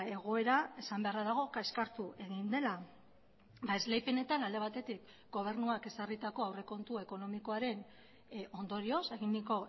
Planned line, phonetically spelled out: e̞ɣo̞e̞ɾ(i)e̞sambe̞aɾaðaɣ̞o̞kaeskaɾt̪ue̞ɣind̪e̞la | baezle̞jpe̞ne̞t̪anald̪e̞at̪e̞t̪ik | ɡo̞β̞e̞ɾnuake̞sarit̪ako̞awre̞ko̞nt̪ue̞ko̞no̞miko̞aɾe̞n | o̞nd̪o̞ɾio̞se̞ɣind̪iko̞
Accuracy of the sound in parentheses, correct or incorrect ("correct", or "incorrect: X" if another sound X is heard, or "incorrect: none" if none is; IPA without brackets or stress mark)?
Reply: incorrect: a